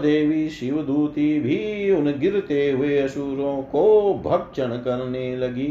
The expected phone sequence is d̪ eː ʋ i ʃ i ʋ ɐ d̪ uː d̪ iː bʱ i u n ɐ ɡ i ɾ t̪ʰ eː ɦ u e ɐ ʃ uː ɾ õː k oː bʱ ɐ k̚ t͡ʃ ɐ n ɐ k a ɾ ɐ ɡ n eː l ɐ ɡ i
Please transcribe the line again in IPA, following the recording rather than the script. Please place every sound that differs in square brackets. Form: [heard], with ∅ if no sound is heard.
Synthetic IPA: d̪ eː ʋ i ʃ i ʋ ɐ d̪ uː [t̪] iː bʱ i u n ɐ ɡ i ɾ [t̪] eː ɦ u e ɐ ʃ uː ɾ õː k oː bʱ ɐ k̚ t͡ʃ ɐ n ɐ k [ɐ] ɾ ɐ [∅] n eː l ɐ ɡ i